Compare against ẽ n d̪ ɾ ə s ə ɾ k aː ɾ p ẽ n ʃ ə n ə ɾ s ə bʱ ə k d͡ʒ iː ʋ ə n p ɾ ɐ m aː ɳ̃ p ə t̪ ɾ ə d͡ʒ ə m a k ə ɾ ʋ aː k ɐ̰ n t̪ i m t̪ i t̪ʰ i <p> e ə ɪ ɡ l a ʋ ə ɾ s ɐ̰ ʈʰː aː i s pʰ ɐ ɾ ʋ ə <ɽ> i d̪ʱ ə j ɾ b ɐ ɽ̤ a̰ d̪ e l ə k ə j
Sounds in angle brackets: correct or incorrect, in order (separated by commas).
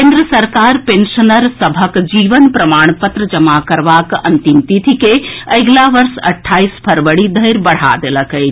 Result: incorrect, correct